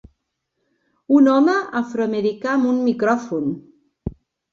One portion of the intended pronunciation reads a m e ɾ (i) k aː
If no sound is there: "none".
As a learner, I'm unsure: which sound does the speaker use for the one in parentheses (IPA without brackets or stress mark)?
i